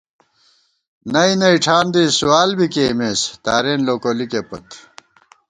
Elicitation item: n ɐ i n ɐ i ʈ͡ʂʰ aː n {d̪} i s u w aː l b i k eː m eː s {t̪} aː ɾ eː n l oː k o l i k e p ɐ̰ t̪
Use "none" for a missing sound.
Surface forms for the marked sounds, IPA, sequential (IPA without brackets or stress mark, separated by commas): d̪, t̪